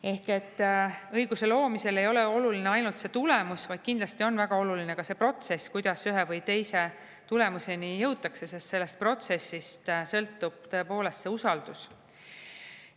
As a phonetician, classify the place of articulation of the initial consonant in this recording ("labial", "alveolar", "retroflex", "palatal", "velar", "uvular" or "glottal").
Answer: glottal